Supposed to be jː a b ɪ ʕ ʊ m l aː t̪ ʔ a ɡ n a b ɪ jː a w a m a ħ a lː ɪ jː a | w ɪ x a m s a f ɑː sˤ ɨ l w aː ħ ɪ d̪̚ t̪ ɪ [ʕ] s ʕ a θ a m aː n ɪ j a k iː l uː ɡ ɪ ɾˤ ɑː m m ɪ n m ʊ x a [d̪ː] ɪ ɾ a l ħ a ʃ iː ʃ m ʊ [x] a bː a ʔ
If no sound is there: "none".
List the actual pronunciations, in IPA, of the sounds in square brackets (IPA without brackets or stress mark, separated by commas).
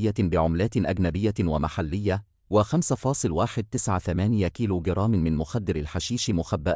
none, d̪ː, x